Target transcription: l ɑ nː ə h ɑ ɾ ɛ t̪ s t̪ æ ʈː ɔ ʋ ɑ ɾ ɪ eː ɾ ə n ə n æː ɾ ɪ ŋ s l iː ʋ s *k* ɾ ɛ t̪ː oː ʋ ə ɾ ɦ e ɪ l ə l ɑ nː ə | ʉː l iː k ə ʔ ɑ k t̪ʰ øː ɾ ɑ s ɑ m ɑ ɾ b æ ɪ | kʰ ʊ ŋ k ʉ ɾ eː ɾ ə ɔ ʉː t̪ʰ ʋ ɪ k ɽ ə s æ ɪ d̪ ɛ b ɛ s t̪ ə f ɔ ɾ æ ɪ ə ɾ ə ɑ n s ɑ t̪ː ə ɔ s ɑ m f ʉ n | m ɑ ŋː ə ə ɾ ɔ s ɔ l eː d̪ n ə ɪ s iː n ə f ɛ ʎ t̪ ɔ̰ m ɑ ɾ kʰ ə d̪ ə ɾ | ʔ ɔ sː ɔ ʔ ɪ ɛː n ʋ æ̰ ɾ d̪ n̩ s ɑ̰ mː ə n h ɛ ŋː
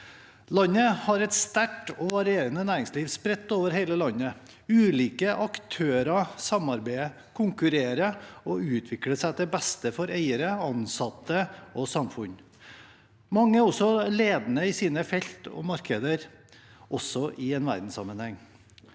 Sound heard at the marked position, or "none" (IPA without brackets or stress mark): p